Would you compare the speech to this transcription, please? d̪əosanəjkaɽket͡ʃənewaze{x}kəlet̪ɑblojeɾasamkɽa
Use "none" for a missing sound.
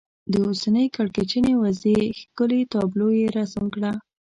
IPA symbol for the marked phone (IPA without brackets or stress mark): x